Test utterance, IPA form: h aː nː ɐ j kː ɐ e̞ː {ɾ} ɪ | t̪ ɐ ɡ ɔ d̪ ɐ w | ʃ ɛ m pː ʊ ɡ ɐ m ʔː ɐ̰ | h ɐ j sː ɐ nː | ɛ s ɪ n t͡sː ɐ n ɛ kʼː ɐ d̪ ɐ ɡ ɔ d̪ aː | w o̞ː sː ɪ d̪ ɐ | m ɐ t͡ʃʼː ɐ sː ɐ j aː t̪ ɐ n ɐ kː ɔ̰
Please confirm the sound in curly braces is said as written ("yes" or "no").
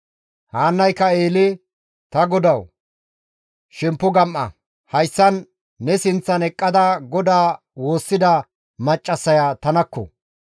no